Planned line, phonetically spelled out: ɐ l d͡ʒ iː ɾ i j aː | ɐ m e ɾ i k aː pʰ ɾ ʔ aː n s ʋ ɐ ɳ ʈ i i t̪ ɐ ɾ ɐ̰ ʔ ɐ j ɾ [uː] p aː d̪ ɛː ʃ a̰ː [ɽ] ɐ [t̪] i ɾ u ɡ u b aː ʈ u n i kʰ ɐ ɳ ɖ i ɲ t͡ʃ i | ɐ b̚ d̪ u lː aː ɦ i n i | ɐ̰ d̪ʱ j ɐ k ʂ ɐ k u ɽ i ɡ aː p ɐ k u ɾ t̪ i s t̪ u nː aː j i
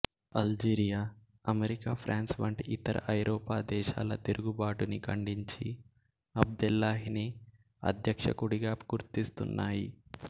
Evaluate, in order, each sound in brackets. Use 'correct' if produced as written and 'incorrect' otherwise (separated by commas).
incorrect, incorrect, correct